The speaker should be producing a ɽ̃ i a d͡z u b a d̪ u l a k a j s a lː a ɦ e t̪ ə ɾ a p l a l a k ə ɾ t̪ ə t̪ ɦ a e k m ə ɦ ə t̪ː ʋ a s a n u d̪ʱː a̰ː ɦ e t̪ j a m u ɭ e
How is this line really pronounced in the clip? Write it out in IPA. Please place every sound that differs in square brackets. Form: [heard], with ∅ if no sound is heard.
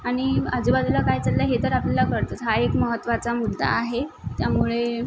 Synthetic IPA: a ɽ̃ i a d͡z u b a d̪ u l a k a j [t͡s] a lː a ɦ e t̪ ə ɾ a p l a l a k ə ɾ t̪ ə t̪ ɦ a e k m ə ɦ ə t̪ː ʋ a [t͡s] a [m] u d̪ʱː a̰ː ɦ e t̪ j a m u ɭ e